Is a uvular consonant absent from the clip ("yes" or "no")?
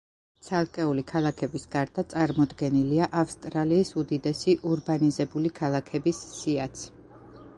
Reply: yes